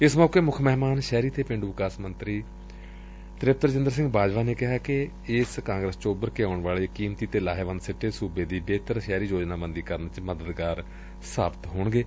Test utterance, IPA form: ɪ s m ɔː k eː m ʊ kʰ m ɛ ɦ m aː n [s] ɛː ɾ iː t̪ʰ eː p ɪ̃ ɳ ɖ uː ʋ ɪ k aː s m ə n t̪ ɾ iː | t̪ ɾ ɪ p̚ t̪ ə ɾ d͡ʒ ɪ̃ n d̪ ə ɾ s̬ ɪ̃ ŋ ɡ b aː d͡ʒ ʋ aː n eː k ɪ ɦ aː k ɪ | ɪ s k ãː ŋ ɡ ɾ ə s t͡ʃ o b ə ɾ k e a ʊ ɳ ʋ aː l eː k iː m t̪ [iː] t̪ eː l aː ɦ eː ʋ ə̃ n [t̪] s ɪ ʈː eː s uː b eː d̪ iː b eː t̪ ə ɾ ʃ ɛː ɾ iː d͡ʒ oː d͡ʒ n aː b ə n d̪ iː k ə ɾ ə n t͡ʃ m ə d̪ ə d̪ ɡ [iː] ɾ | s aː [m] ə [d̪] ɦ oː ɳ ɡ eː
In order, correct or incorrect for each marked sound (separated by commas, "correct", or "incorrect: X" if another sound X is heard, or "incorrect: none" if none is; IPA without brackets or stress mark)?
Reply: incorrect: ʃ, correct, incorrect: d̪, incorrect: aː, incorrect: b, incorrect: t̪